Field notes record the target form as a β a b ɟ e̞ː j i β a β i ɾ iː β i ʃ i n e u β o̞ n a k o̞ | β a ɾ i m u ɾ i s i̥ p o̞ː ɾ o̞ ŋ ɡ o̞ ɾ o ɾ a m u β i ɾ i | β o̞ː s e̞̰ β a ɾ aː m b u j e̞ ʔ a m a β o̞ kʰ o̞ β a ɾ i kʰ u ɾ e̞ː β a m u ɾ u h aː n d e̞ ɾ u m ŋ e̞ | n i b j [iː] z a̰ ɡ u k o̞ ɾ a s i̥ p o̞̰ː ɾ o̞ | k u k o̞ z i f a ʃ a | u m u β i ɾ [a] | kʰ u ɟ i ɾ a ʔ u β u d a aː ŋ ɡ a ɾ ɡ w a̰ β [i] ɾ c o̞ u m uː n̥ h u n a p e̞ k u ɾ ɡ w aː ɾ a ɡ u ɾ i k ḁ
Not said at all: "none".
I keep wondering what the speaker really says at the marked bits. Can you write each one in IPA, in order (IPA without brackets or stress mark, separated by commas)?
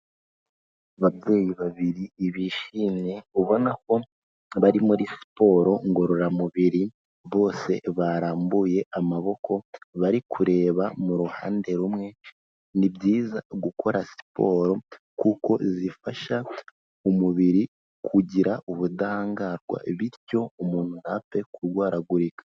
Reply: iː, i, i